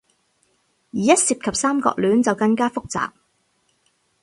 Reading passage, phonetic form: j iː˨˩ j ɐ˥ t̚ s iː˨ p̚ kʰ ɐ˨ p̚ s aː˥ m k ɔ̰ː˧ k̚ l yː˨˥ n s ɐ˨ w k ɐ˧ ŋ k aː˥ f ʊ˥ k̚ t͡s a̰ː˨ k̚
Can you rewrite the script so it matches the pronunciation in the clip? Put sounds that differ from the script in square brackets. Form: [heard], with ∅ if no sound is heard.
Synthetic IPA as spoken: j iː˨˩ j ɐ˥ t̚ s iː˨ p̚ kʰ ɐ˨ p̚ s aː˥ m k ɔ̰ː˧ k̚ l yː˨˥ n [t͡s] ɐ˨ w k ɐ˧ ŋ k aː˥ f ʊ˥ k̚ t͡s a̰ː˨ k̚